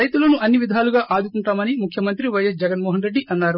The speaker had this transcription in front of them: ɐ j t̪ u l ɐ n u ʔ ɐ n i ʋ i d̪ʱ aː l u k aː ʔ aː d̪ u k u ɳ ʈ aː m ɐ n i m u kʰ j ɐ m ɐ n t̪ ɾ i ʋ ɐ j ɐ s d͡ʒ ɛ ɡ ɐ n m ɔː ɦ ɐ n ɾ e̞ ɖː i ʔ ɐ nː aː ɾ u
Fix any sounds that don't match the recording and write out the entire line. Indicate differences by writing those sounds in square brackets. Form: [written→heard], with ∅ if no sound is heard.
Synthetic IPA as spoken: ɐ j t̪ u l ɐ n u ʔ ɐ [n→nː] i ʋ i d̪ʱ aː l u [k→ɡ] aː ʔ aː d̪ u k u ɳ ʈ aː m ɐ n i m u kʰ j ɐ m ɐ n t̪ ɾ i ʋ ɐ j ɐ s d͡ʒ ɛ ɡ ɐ n m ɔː ɦ ɐ n ɾ e̞ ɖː i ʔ ɐ nː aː ɾ u

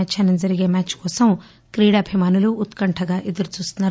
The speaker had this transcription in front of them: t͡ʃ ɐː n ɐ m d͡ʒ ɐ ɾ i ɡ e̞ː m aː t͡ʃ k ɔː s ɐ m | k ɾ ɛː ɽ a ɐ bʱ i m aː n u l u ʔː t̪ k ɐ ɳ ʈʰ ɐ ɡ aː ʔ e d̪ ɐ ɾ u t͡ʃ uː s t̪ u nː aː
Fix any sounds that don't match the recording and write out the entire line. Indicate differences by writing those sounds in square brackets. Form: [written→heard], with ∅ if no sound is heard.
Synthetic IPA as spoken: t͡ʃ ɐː n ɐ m d͡ʒ ɐ ɾ i ɡ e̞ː m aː t͡ʃ k ɔː s ɐ m | k ɾ [ɛː→iː] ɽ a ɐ bʱ i m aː n u l u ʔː t̪ k ɐ ɳ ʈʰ ɐ ɡ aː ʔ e d̪ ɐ ɾ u t͡ʃ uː s t̪ u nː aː

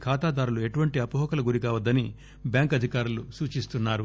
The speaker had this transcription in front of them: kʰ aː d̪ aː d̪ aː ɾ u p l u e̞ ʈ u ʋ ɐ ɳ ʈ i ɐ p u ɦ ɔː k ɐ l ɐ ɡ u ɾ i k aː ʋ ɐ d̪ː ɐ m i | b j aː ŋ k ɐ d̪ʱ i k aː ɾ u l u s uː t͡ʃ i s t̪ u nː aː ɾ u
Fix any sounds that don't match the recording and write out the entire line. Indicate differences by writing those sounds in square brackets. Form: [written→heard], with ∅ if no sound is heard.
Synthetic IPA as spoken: kʰ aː [d̪→t̪] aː d̪ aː ɾ u [p→∅] l u e̞ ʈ u ʋ ɐ ɳ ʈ i ɐ p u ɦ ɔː k ɐ l ɐ ɡ u ɾ i k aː ʋ ɐ d̪ː ɐ [m→n] i | b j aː ŋ k ɐ d̪ʱ i k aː ɾ u l u s uː t͡ʃ i s t̪ u nː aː ɾ u

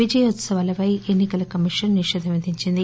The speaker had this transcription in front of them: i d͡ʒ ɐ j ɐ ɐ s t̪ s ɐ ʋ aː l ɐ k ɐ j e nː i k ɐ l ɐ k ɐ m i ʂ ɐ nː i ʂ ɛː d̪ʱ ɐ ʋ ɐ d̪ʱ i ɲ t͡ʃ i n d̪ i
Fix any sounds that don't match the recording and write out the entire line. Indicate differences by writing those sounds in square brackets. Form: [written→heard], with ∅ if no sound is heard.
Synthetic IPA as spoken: i d͡ʒ ɐ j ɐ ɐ [s→∅] t̪ s ɐ ʋ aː l ɐ [k→p] ɐ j e nː i k ɐ l ɐ k ɐ m i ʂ ɐ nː i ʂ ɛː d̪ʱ ɐ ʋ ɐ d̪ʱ i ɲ t͡ʃ i n d̪ i

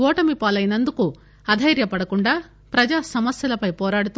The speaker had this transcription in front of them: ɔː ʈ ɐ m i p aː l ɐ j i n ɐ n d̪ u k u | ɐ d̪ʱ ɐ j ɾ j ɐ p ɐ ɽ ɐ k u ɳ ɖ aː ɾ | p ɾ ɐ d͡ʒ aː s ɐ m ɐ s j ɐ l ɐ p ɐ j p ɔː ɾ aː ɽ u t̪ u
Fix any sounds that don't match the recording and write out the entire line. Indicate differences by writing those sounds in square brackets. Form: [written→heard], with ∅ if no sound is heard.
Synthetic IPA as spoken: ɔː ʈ ɐ m i p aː l ɐ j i n ɐ n d̪ u k u | ɐ d̪ʱ ɐ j ɾ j ɐ p ɐ ɽ ɐ k u ɳ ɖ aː [ɾ→∅] | p ɾ ɐ d͡ʒ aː s ɐ m ɐ s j ɐ l ɐ p ɐ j p ɔː ɾ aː ɽ u t̪ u

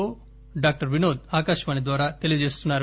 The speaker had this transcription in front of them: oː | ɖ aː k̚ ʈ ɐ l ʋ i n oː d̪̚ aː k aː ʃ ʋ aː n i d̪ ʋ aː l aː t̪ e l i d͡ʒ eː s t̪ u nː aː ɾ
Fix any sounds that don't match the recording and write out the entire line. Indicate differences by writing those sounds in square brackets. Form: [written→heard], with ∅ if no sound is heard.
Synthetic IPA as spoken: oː | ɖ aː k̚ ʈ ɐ [l→ɾ] ʋ i n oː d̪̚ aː k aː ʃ ʋ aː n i d̪ ʋ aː [l→ɾ] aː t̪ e l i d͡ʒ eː s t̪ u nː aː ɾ

